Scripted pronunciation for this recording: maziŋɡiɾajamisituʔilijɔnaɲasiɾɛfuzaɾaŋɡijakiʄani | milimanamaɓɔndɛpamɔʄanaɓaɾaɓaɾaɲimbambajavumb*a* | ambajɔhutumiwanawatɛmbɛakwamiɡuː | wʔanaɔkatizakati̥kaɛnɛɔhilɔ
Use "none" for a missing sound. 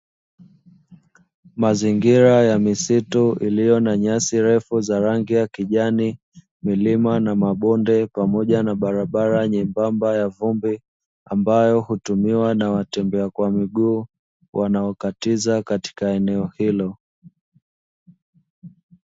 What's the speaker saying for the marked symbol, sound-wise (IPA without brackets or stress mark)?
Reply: i